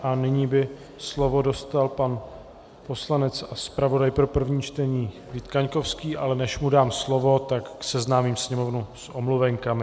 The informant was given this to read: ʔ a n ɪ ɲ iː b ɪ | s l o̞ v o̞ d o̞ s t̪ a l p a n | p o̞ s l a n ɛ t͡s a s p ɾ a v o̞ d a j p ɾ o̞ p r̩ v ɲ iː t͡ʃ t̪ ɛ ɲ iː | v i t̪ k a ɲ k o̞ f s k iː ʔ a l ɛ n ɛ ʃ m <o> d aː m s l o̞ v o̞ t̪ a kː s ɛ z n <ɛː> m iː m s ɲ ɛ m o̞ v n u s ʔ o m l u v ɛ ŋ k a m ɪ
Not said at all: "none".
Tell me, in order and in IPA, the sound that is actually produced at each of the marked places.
u, aː

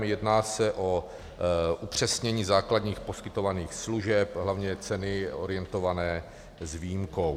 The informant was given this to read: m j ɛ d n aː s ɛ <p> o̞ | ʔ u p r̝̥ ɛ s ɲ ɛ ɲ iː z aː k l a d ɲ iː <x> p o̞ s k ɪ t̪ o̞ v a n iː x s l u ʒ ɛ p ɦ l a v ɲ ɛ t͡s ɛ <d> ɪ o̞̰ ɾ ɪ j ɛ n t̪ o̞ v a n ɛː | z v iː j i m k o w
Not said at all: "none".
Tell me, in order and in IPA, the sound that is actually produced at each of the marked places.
ʔ, x, n

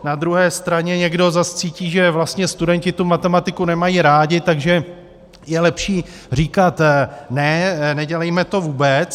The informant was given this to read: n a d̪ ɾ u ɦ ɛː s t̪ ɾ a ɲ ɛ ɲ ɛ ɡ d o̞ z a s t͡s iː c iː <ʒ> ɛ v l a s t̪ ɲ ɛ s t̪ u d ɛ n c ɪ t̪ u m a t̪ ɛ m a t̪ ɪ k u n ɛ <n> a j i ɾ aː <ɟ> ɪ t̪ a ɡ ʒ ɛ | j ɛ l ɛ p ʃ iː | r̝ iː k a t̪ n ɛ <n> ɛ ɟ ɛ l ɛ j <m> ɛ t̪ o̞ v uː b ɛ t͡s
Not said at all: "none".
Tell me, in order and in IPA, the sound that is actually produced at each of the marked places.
ʒ, m, ɟ, n, m

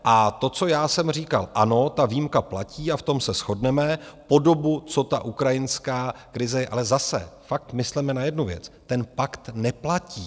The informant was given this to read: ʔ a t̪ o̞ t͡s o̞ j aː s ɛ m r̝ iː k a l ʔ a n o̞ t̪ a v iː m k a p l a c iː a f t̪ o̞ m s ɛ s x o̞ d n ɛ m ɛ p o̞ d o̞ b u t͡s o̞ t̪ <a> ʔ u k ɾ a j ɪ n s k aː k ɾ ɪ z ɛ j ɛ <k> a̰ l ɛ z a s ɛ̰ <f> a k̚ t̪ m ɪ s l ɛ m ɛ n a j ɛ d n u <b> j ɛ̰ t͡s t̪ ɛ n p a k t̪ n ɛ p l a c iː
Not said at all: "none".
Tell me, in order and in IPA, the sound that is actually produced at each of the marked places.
a, ʔ, f, v

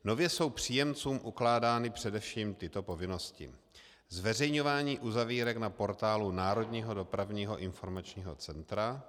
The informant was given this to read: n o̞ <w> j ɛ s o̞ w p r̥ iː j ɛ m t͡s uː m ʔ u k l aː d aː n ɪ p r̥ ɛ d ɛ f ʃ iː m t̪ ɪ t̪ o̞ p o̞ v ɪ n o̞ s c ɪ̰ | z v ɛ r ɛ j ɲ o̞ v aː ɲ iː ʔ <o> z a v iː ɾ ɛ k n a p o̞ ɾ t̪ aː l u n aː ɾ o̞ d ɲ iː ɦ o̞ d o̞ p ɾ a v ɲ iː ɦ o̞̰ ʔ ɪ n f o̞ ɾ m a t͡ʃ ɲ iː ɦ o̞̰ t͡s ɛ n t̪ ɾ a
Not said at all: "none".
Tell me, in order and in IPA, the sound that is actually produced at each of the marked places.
v, u

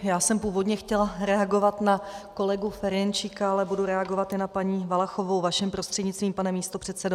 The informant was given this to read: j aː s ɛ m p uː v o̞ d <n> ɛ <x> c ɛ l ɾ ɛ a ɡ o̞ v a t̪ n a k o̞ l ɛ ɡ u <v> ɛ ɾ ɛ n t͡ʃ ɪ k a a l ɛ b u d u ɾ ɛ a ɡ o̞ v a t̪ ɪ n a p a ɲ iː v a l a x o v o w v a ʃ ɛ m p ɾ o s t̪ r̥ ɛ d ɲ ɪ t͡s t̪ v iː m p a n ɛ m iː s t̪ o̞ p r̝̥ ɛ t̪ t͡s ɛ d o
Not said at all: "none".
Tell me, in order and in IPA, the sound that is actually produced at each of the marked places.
ɲ, x, f

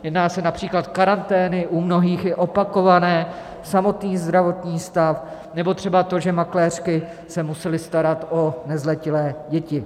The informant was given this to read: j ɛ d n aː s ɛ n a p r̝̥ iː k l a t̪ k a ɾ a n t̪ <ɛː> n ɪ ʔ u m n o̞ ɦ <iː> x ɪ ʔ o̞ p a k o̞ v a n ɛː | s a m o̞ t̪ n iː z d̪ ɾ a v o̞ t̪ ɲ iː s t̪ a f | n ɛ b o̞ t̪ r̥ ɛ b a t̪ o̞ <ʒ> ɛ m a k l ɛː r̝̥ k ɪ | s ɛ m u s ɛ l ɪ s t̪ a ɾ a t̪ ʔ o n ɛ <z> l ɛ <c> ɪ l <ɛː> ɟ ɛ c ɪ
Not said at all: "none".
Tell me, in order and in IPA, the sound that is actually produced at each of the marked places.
ɛː, iː, ʒ, z, c, ɛː

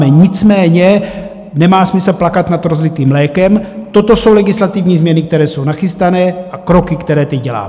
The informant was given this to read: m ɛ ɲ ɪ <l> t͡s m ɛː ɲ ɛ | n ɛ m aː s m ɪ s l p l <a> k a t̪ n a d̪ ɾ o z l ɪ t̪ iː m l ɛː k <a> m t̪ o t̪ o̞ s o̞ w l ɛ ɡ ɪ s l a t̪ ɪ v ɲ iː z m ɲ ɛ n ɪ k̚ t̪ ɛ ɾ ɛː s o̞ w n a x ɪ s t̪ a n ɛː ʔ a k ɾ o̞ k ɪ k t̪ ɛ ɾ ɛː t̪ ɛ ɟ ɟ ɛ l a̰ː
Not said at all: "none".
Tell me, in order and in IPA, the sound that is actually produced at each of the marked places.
none, a, ɛ

